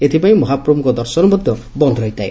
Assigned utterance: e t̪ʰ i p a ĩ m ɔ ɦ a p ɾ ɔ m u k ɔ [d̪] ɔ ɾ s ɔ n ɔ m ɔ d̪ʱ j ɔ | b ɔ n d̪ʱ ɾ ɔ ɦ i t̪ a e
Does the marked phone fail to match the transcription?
no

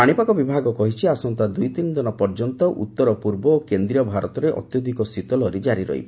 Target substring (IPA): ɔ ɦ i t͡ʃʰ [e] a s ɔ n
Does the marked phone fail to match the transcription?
yes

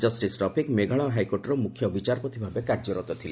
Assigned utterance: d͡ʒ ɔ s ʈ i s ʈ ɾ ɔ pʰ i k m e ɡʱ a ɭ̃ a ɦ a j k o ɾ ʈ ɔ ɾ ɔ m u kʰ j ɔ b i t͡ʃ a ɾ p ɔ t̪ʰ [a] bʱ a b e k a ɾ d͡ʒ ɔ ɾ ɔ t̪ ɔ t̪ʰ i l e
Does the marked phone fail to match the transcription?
yes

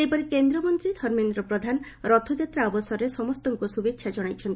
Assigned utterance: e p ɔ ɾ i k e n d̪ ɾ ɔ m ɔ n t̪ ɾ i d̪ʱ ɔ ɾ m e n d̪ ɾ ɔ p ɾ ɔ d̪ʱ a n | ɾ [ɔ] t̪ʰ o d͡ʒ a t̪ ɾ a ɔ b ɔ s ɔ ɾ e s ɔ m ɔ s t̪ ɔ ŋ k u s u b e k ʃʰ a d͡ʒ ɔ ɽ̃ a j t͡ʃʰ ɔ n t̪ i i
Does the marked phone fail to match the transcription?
no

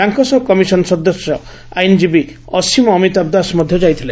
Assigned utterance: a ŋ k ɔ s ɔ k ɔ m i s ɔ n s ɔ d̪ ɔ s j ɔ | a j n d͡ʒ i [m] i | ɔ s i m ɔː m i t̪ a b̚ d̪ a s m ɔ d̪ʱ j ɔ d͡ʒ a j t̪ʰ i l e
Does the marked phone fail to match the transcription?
yes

